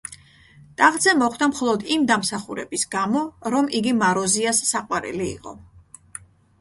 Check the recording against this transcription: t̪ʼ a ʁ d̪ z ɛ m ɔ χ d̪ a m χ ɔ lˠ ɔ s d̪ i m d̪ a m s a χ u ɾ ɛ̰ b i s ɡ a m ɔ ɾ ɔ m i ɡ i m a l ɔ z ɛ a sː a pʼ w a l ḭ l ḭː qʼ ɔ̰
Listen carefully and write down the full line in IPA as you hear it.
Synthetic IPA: t̪ʼ a ʁ d̪ z ɛ m ɔ χ d̪ a m χ ɔ lˠ ɔ d̪ i m d̪ a m s a χ u ɾ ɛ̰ b i s ɡ a m ɔ ɾ ɔ m i ɡ i m a ɾ ɔ z i a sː a qʼ w a ɾ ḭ l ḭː qʼ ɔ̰